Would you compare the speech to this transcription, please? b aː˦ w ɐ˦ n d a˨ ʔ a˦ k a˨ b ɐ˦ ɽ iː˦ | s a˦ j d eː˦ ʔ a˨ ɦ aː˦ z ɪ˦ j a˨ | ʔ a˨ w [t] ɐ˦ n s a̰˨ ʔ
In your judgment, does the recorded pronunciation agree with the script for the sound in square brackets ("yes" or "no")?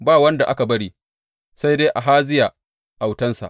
yes